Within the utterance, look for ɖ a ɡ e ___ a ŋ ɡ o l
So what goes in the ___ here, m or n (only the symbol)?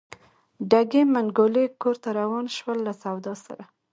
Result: m